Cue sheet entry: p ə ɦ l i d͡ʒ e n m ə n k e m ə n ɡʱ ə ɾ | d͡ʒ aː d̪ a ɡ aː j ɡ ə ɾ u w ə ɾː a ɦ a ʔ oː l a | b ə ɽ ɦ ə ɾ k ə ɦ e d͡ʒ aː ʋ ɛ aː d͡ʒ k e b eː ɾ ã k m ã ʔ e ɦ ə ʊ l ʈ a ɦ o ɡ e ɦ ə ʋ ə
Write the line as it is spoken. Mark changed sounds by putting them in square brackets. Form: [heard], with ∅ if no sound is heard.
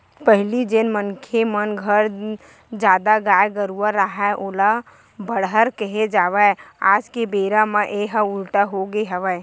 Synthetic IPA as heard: p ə ɦ l i d͡ʒ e n m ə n [kʰ] e m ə n ɡʱ ə ɾ | d͡ʒ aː d̪ a ɡ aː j ɡ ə ɾ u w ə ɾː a ɦ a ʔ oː l a | b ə ɽ ɦ ə ɾ k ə ɦ e d͡ʒ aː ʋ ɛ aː d͡ʒ k e b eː ɾ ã [∅] m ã ʔ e ɦ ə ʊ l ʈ a ɦ o ɡ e ɦ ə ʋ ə